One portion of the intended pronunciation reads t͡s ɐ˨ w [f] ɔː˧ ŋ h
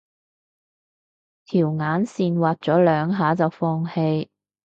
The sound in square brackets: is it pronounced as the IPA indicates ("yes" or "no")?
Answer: yes